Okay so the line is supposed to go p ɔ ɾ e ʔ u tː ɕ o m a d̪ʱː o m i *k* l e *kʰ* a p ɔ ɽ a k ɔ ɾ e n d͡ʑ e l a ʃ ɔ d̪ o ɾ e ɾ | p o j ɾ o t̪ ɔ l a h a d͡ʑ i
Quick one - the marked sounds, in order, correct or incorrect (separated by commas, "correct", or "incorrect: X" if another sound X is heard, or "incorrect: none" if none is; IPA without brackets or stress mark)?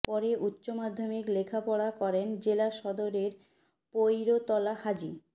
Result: correct, correct